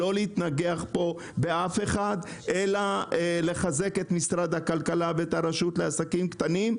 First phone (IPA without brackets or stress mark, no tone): o̞